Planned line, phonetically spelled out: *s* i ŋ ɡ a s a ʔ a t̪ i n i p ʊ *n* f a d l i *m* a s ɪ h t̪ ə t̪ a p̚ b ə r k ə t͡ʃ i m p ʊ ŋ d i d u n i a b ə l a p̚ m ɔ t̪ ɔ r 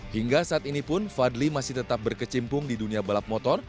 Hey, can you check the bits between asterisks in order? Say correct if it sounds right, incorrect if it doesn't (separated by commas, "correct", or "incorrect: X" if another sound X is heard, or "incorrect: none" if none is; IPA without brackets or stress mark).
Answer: incorrect: h, correct, correct